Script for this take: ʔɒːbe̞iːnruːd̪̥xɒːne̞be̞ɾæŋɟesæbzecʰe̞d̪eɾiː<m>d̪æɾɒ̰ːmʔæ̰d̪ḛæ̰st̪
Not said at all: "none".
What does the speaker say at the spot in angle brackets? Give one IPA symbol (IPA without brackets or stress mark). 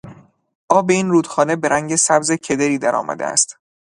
none